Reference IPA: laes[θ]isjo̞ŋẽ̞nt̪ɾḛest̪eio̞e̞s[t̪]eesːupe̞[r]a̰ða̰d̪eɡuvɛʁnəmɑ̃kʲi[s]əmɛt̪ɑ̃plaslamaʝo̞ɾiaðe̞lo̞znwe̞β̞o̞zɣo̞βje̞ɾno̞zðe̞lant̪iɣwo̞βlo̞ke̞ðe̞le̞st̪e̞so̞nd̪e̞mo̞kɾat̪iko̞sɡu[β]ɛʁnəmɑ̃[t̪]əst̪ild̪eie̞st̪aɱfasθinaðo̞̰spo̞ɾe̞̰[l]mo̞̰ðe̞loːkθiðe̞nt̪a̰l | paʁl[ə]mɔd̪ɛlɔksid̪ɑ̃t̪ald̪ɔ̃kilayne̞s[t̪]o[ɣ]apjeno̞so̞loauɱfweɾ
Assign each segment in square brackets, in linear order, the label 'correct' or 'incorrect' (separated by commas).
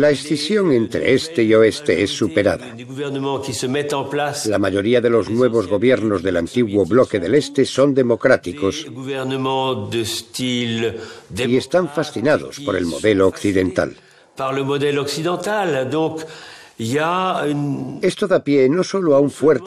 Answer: correct, correct, incorrect, correct, incorrect, incorrect, correct, correct, correct, incorrect